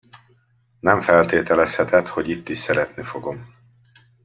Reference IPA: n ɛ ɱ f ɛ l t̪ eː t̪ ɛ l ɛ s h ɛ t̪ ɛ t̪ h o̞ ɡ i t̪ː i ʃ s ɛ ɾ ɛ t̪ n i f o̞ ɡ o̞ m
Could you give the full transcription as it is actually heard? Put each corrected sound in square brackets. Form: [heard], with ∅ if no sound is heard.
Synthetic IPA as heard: n ɛ ɱ f ɛ l t̪ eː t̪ ɛ l ɛ s h ɛ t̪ ɛ t̪ h o̞ [ɟ] i t̪ː i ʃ s ɛ ɾ ɛ t̪ n i f o̞ ɡ o̞ m

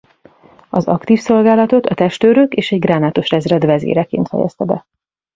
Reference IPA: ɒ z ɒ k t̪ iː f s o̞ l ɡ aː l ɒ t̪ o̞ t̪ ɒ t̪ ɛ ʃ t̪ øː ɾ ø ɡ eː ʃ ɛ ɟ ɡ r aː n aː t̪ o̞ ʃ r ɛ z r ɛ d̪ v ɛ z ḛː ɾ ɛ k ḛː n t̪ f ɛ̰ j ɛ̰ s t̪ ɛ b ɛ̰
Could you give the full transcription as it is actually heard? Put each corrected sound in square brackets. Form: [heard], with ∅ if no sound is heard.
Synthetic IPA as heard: ɒ z ɒ k t̪ iː f s o̞ l ɡ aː l ɒ t̪ o̞ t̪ ɒ t̪ ɛ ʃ t̪ øː ɾ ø [k] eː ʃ ɛ ɟ ɡ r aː n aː t̪ o̞ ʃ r ɛ z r ɛ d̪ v ɛ z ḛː ɾ ɛ k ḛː n t̪ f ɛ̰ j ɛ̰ s t̪ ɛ b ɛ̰

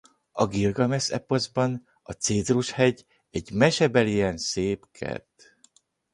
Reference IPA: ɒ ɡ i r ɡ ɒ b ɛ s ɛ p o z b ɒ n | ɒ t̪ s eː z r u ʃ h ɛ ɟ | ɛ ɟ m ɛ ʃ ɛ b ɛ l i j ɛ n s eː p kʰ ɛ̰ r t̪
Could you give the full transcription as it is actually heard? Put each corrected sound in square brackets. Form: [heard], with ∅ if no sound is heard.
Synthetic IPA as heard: ɒ ɡ i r ɡ ɒ [m] ɛ s ɛ p o z b ɒ n | ɒ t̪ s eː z r u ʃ h ɛ ɟ | ɛ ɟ m ɛ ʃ ɛ b ɛ l i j ɛ n s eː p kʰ ɛ̰ r t̪

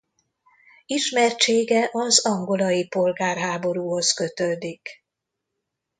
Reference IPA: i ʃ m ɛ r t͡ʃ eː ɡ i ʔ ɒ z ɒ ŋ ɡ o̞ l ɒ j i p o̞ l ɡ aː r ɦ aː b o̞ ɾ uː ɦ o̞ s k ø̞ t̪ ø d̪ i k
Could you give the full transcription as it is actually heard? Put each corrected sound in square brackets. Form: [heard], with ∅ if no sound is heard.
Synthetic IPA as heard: i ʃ m ɛ r t͡ʃ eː ɡ [ɛ] ʔ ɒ z ɒ ŋ ɡ o̞ l ɒ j i p o̞ l ɡ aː r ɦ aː b o̞ ɾ uː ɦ o̞ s k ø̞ t̪ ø d̪ i k

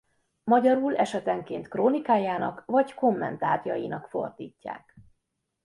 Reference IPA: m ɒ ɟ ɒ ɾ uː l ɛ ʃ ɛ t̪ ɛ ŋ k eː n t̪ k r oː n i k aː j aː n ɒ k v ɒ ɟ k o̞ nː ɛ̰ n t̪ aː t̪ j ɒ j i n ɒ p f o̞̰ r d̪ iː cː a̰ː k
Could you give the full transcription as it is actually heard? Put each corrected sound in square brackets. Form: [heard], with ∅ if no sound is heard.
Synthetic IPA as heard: m ɒ ɟ ɒ ɾ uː l ɛ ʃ ɛ t̪ ɛ ŋ k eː n t̪ k r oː n i k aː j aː n ɒ k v ɒ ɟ k o̞ [mː] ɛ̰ n t̪ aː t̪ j ɒ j i n ɒ [k] f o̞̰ r d̪ iː cː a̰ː k

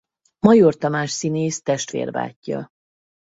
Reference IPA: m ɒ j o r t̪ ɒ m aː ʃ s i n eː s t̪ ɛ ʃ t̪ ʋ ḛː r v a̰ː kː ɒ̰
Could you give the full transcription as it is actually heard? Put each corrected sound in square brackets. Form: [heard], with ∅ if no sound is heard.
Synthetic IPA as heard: m ɒ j o r t̪ ɒ m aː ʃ s i n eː s t̪ ɛ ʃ t̪ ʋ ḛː r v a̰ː [cː] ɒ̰

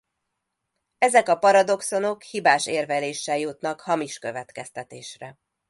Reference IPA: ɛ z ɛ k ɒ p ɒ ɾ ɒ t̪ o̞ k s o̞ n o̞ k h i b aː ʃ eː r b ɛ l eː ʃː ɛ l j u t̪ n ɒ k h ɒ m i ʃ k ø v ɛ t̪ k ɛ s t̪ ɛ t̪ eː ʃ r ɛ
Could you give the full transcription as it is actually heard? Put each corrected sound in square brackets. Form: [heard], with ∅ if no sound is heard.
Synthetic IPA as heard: ɛ z ɛ k ɒ p ɒ ɾ ɒ [d̪] o̞ k s o̞ n o̞ k h i b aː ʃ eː r [v] ɛ l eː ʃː ɛ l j u t̪ n ɒ k h ɒ m i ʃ k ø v ɛ t̪ k ɛ s t̪ ɛ t̪ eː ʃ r ɛ

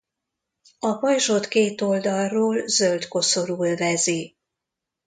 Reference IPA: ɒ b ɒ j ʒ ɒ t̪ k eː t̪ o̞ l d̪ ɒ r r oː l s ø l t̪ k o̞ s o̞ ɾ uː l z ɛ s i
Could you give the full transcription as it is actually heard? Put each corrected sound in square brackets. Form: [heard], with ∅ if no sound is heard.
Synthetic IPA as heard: ɒ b ɒ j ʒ [o] t̪ k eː t̪ o̞ l d̪ ɒ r r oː l [z] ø l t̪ k o̞ s o̞ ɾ uː l [v] ɛ [z] i

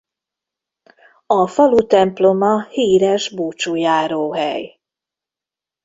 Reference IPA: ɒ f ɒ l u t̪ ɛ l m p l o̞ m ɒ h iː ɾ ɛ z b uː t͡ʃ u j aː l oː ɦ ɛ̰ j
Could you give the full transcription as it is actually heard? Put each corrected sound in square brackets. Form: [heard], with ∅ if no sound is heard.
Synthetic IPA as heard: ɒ f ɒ l u t̪ ɛ [∅] m p l o̞ m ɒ h iː ɾ ɛ [ʒ] b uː t͡ʃ u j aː [ɾ] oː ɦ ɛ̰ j

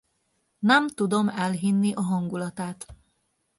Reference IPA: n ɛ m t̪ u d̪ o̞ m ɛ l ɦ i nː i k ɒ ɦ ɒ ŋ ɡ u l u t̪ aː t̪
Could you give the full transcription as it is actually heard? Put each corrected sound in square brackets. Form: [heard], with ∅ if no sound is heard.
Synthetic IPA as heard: n ɛ m t̪ u d̪ o̞ m ɛ l ɦ i nː i [ʔ] ɒ ɦ ɒ ŋ ɡ u l [ɒ] t̪ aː t̪

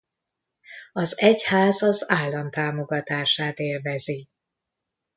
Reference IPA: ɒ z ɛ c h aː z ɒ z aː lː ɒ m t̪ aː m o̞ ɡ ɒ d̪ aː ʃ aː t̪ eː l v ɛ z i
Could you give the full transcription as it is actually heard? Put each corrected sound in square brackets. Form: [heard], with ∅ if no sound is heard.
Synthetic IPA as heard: ɒ z ɛ c h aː z ɒ z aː lː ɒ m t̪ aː m o̞ ɡ ɒ [t̪] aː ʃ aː t̪ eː l v ɛ z i

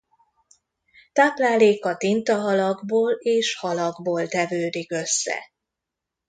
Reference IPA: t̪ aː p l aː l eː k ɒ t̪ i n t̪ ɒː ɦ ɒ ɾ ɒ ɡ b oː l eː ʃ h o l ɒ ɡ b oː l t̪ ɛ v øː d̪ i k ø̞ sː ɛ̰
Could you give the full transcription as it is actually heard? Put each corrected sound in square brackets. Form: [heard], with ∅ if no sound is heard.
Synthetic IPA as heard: t̪ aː p l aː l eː k ɒ t̪ i n t̪ [ɒ] ɦ ɒ [l] ɒ ɡ b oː l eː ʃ h [ɒ] l ɒ ɡ b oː l t̪ ɛ v øː d̪ i k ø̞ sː ɛ̰

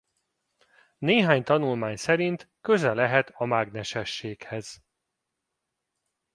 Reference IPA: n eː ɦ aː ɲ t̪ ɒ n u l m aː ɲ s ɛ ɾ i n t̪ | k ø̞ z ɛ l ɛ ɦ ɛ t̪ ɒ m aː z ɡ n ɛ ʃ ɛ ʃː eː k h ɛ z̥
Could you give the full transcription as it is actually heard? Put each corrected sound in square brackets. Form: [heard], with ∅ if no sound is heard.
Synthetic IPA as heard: n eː ɦ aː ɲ t̪ ɒ n u l m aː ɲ s ɛ ɾ i n t̪ | k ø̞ z ɛ l ɛ ɦ ɛ t̪ ɒ m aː [∅] ɡ n ɛ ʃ ɛ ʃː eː k h ɛ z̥

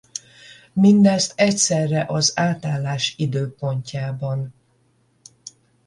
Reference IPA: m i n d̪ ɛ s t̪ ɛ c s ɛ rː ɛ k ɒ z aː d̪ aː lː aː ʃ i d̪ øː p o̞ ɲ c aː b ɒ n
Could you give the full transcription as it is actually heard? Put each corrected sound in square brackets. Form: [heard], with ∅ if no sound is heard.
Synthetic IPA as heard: m i n d̪ ɛ s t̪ ɛ c s ɛ rː ɛ [ʔ] ɒ z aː [t̪] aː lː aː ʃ i d̪ øː p o̞ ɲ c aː b ɒ n

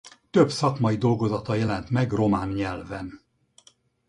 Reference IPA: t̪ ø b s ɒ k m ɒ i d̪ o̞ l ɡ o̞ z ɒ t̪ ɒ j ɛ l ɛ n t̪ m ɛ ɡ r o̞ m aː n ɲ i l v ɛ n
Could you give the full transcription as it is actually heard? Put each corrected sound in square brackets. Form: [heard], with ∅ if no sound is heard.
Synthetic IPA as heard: t̪ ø b s ɒ k m ɒ i d̪ o̞ l ɡ o̞ z ɒ t̪ ɒ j ɛ l ɛ n t̪ m ɛ ɡ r o̞ m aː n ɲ [ɛ] l v ɛ n

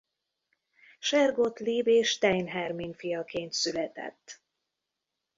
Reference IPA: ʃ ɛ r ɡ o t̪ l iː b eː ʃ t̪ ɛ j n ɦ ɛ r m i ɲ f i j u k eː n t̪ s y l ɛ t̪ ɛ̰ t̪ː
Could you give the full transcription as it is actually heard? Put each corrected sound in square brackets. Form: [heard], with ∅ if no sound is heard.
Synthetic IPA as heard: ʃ ɛ r ɡ o t̪ l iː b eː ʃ t̪ ɛ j n ɦ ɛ r m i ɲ f i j [ɒ] k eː n t̪ s y l ɛ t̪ ɛ̰ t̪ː

